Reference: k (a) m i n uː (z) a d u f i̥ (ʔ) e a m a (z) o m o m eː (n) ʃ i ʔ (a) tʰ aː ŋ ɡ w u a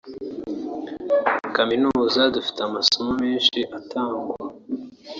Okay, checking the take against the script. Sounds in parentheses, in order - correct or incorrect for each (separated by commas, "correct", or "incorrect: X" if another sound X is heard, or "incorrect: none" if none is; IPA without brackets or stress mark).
correct, correct, incorrect: t, incorrect: s, correct, correct